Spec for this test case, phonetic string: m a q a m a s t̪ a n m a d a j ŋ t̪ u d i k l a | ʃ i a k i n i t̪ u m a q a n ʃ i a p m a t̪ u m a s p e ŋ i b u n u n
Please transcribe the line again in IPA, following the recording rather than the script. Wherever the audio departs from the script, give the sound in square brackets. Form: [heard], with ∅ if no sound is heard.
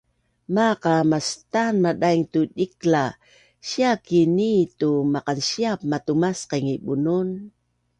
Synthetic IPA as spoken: m a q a m a s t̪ a n m a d a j ŋ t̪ u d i k l a | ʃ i a k i n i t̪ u m a q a n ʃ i a p m a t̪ u m a s [q] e ŋ i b u n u n

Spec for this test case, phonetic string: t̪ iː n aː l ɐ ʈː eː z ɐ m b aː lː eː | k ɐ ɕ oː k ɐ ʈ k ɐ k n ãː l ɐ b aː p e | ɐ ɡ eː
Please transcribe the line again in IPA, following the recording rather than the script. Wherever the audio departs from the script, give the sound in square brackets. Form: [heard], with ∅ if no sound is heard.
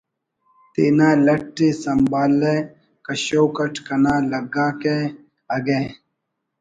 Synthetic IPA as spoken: t̪ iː n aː l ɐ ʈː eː [s] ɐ m b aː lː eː | k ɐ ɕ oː k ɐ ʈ k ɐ [∅] n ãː l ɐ [ɡ] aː [k] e | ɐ ɡ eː

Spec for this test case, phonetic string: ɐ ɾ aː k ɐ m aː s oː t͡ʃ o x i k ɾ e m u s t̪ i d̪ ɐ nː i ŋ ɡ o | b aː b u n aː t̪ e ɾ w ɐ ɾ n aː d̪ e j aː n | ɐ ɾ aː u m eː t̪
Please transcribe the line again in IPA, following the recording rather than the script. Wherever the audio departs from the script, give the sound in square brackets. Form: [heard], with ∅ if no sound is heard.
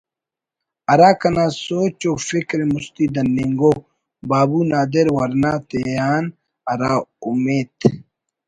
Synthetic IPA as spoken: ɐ ɾ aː k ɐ [n] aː s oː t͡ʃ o [f] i k ɾ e m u s t̪ i d̪ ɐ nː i ŋ ɡ o | b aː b u n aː [d̪] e ɾ w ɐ ɾ n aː [t̪] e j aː n | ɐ ɾ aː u m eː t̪

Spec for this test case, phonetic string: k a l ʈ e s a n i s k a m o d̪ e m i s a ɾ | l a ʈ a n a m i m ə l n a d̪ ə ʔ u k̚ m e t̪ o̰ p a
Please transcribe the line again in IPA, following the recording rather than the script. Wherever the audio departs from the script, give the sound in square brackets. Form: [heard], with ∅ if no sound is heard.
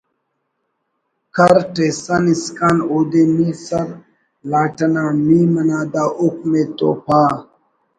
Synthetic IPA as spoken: k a [ɾ] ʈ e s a n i s k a [n] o d̪ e m i s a ɾ | l a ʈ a n a m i m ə [∅] n a d̪ [a] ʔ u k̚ m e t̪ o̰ p a

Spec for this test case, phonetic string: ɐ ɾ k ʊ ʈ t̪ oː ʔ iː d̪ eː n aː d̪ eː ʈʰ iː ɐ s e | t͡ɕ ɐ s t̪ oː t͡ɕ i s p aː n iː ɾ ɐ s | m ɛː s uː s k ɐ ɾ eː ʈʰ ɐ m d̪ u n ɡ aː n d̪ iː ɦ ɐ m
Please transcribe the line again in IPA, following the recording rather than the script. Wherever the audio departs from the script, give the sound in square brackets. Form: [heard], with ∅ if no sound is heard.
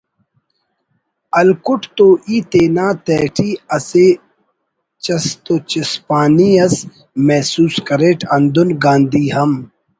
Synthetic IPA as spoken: ɐ [l] k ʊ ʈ t̪ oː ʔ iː [t̪] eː n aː [t̪] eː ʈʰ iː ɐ s e | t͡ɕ ɐ s t̪ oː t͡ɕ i s p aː n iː [∅] ɐ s | m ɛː s uː s k ɐ ɾ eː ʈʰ ɐ [n] d̪ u n ɡ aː n d̪ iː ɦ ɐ m

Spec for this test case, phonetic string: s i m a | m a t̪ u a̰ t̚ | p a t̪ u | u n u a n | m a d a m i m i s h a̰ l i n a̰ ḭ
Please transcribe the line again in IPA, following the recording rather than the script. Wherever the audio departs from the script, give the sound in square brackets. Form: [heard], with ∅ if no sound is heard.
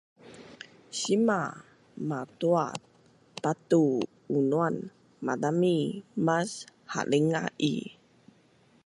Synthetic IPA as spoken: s i m a | m a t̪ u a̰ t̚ | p a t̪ u | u n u a n | m a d a m i m [a] s h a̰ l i [ŋ] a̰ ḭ

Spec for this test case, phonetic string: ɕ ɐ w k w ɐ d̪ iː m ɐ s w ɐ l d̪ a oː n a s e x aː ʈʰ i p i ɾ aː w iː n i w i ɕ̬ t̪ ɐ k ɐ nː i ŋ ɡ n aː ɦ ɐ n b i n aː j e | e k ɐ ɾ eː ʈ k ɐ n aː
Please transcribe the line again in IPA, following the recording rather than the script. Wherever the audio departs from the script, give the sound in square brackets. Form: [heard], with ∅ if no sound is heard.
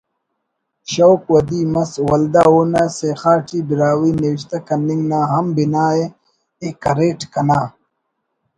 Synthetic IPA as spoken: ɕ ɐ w k w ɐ d̪ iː m ɐ s w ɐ l d̪ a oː n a s e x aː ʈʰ i [b] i ɾ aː w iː n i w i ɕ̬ t̪ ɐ k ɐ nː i ŋ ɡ n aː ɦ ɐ [m] b i n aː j e | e k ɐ ɾ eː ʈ k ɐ n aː

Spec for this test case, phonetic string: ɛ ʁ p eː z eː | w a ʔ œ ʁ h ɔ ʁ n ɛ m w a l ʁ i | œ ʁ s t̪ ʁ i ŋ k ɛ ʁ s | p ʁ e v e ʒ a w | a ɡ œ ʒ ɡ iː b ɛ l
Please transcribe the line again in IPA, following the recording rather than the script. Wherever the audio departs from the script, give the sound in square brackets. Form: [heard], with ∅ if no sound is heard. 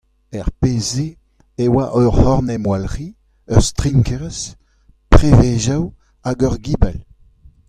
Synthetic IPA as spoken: ɛ ʁ p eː z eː | w a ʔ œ ʁ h ɔ ʁ n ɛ m w a l ʁ i | œ ʁ s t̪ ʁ i ŋ k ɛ ʁ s | p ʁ e v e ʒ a w | a ɡ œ [ʁ] ɡ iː b ɛ l

